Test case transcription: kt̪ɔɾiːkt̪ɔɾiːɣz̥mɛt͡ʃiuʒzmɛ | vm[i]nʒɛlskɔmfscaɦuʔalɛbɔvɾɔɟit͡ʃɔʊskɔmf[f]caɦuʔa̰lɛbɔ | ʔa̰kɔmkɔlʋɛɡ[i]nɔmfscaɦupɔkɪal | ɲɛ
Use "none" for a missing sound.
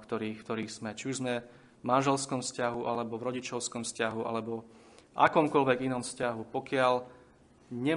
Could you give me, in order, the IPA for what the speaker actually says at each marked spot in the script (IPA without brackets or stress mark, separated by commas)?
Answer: a, s, i